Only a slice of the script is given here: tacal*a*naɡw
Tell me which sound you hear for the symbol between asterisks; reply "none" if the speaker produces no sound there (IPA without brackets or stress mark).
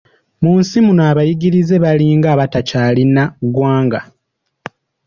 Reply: i